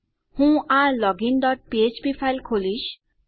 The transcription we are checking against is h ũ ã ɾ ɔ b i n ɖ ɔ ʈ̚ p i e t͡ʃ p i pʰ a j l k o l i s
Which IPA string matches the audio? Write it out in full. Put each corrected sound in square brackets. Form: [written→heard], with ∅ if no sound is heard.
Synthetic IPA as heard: h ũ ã [ɾ→l] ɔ [b→ɡ] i n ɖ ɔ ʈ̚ p i e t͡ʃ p i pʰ a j l [k→kʰ] o l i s

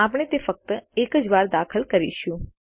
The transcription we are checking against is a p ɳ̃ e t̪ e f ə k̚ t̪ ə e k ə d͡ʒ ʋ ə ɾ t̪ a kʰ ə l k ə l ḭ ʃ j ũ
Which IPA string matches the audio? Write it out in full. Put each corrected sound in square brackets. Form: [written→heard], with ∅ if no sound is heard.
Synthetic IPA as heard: a p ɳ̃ e t̪ e f ə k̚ t̪ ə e k ə d͡ʒ ʋ [ə→a] ɾ [t̪→d̪] a kʰ ə l k ə [l→ɾ] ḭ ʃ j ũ

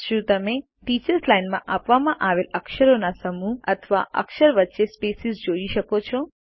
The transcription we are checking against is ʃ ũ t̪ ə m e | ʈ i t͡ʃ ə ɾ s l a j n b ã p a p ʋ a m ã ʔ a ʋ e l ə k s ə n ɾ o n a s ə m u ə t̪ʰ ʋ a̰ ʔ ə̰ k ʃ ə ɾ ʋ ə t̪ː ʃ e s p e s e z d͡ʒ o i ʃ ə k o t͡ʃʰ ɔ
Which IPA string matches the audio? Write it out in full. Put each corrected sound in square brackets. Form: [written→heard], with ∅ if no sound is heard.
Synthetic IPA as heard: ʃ ũ t̪ ə m e | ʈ i t͡ʃ ə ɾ s l a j n [b→m] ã [p→ʔ] a p ʋ a m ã ʔ a ʋ e l ə k [s→ʃ] ə [n→∅] ɾ o n a s ə m u ə t̪ʰ ʋ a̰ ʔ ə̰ k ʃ ə ɾ ʋ ə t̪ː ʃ e s p e s [e→i] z d͡ʒ o i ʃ ə k o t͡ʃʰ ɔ

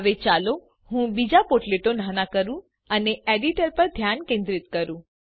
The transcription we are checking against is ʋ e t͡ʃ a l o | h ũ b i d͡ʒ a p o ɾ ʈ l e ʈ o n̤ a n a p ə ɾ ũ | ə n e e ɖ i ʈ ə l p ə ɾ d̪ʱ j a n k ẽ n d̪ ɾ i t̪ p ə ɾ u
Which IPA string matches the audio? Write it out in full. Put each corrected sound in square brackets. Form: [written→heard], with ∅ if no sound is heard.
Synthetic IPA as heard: ʋ e t͡ʃ a l o | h ũ b i d͡ʒ a p o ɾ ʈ l e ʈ o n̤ a n a [p→k] ə ɾ ũ | ə n e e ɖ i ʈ ə [l→ɾ] p ə ɾ d̪ʱ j a n k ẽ n d̪ ɾ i t̪ [p→k] ə ɾ [u→ũ]

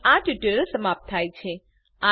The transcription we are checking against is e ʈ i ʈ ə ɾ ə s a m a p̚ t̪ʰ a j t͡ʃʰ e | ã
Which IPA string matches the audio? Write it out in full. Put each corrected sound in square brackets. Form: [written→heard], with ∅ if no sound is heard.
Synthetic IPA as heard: [e→a] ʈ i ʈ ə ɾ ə s [a→ə] m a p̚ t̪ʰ a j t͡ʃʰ e | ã

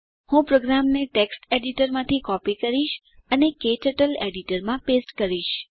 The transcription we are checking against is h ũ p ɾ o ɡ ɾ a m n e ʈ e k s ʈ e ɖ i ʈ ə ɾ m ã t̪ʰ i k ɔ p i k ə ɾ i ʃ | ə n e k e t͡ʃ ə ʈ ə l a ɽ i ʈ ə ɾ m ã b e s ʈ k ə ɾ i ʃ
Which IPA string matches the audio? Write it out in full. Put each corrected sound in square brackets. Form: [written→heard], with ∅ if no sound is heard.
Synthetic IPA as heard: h ũ p ɾ o ɡ ɾ a m n e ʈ e k s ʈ e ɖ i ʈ ə ɾ m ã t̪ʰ i k ɔ p i k ə ɾ i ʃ | ə n e k e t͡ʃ ə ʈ ə l [a→e] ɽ i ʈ ə ɾ m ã [b→p] e s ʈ k ə ɾ i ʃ

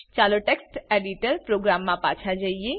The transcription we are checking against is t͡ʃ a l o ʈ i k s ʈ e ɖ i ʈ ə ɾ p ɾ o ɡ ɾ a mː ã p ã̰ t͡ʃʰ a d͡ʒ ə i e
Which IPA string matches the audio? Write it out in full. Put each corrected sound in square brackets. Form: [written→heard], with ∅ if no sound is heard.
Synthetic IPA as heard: t͡ʃ a l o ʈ [i→e] k s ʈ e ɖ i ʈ ə ɾ p ɾ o ɡ ɾ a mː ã p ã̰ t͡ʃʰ a d͡ʒ ə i e

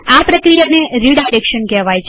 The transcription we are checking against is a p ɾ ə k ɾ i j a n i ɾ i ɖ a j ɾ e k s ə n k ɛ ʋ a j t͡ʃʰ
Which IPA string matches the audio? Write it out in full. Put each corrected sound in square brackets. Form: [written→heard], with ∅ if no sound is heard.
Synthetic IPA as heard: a p ɾ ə k ɾ i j a n [i→e] ɾ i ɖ a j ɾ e k [s→ʃ] ə n k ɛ ʋ a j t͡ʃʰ

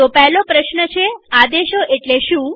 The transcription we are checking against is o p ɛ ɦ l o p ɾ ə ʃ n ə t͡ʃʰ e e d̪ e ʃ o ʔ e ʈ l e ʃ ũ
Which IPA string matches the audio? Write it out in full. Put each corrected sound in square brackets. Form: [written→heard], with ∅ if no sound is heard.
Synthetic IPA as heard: o p ɛ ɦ l o p ɾ ə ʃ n ə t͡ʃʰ e [e→a] d̪ e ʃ o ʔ e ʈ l e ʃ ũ

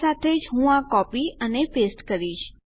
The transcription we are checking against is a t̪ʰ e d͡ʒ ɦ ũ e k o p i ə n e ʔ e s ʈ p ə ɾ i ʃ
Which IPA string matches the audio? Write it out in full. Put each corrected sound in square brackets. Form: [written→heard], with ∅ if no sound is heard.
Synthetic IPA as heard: a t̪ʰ e d͡ʒ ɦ ũ [e→a] k [o→ɔ] p i ə n e [ʔ→p] e s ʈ [p→k] ə ɾ i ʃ

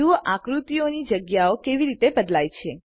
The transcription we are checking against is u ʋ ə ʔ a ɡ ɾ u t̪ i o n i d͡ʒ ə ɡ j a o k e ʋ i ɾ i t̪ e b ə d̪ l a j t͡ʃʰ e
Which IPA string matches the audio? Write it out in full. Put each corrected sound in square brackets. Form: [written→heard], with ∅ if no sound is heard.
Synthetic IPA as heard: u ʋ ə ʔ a [ɡ→k] ɾ u t̪ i o n i d͡ʒ ə ɡ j a o k e ʋ i ɾ i t̪ e b ə d̪ l a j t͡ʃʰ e

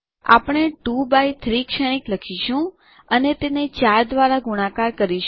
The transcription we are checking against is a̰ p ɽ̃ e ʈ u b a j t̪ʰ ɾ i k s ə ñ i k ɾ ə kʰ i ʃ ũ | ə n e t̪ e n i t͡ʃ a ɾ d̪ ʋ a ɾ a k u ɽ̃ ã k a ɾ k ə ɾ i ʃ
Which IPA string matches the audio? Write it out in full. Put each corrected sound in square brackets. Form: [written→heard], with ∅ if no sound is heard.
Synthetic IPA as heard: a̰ p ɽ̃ e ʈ u b a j t̪ʰ ɾ i k [s→ʃ] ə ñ i k [ɾ→l] ə kʰ i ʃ ũ | ə n e t̪ e n [i→e] t͡ʃ a ɾ d̪ ʋ a ɾ a [k→ɡ] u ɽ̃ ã k a ɾ k ə ɾ i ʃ

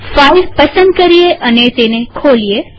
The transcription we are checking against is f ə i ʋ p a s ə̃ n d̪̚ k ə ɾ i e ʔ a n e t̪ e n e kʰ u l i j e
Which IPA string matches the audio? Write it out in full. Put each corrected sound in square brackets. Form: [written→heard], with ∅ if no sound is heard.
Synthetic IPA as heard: f [ə→a] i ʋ p [a→ə] s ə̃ n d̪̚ k ə ɾ i e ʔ [a→ə] n e t̪ e n e kʰ [u→o] l i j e

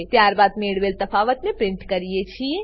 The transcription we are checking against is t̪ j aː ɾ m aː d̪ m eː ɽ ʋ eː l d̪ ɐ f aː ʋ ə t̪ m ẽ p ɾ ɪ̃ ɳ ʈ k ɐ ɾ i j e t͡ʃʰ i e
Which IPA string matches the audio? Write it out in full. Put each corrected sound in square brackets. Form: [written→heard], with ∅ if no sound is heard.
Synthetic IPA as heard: t̪ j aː ɾ [m→b] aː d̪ m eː ɽ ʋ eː l [d̪→t̪] ɐ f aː ʋ ə t̪ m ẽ p ɾ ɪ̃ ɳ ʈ k ɐ ɾ i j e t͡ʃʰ i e

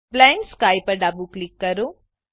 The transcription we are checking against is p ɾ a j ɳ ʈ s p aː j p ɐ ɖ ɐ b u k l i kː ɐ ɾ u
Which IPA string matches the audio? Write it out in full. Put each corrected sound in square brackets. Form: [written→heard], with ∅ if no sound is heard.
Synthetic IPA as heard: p [ɾ→l] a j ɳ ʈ s [p→k] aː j p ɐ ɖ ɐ b u k l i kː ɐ ɾ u

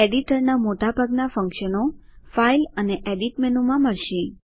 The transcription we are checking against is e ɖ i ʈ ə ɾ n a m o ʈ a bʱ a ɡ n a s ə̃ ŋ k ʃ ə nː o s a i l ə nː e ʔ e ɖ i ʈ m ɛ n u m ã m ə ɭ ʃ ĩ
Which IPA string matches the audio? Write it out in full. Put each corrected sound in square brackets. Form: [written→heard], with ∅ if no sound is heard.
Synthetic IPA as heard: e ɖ i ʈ ə ɾ n a m o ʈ a bʱ a ɡ n a [s→f] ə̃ ŋ k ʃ ə [nː→n] o [s→f] a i l ə [nː→n] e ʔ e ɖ i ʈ m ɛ n u m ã m ə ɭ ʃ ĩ

